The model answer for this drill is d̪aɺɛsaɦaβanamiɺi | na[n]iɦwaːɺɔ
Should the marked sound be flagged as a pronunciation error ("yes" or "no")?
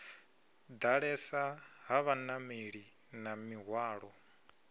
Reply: yes